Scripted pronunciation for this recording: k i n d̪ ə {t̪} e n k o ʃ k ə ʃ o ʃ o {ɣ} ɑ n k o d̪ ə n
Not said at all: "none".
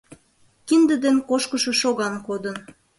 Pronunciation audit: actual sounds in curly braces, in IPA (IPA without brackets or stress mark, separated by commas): d̪, ɣ